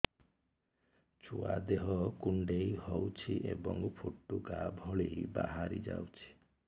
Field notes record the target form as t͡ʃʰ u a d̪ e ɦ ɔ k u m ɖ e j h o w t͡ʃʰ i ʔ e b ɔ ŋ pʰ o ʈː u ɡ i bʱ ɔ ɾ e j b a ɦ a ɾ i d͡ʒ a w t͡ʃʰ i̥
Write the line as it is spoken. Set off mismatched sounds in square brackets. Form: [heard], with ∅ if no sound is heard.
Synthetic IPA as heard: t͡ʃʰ u a d̪ e ɦ ɔ k u [ɳ] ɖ e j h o w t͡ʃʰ i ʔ e b ɔ ŋ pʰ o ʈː u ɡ [a] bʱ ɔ [ɭ] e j b a ɦ a ɾ i d͡ʒ a w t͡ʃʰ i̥